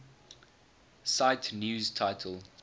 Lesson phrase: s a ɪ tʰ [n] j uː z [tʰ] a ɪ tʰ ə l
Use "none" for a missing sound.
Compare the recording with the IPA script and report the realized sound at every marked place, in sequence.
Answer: n, tʰ

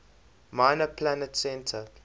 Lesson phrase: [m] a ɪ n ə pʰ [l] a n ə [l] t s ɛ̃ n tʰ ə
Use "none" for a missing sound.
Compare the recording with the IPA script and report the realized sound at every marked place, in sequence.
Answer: m, l, none

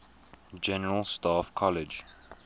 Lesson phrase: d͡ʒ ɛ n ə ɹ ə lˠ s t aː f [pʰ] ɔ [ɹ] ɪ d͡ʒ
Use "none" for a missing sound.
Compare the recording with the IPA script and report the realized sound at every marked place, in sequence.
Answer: kʰ, l

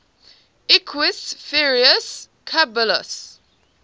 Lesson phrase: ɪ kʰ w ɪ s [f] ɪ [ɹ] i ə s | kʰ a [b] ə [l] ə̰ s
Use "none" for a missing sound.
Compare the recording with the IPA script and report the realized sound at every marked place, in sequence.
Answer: f, ɹ, b, l

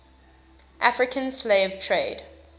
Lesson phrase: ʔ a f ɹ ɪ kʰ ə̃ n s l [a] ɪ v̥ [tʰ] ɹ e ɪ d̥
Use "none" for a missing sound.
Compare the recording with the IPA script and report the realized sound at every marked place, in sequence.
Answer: e, tʰ

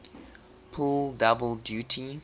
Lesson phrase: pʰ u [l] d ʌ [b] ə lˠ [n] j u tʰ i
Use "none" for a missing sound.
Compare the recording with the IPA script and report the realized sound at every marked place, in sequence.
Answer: l, b, d

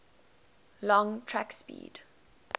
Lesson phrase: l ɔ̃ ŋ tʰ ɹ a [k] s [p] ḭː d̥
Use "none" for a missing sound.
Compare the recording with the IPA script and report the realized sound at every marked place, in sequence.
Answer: k, p

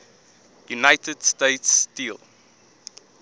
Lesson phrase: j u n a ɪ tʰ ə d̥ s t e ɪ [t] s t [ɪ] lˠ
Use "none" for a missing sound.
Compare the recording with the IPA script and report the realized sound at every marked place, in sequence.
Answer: t, i

